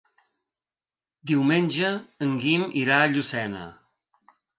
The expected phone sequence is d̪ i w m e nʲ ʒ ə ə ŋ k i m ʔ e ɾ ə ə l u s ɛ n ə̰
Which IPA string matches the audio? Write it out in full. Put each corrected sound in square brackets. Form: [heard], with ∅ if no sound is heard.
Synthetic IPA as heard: d̪ i w m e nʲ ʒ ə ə ŋ [ɡ] i m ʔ [i] ɾ [a] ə [ʎ] u s ɛ n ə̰